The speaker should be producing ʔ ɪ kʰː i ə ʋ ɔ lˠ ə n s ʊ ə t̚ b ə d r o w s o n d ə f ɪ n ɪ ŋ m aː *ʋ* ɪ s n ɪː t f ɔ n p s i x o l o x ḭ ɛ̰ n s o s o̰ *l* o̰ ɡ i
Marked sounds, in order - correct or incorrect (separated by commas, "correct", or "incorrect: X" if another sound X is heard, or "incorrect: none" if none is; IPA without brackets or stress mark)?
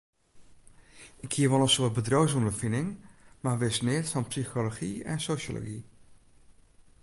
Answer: correct, correct